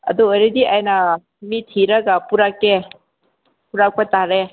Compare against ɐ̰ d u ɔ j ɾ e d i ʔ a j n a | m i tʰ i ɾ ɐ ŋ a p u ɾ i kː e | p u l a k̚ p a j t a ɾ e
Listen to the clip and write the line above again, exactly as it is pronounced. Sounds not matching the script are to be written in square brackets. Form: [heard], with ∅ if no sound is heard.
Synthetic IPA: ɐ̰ d u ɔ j ɾ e d i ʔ a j n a | m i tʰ i ɾ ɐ [ɡ] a p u ɾ [a] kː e | p u [ɾ] a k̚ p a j t a ɾ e